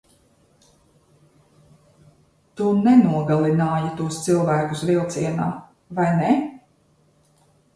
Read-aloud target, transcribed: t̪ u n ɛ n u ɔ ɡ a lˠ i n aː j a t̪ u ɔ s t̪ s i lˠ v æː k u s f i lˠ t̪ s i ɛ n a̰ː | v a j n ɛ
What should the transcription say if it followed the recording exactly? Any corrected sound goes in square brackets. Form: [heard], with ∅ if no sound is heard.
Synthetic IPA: t̪ u n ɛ n u ɔ ɡ a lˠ i n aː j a t̪ u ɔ s t̪ s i lˠ v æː k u s [v] i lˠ t̪ s i ɛ n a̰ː | v a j n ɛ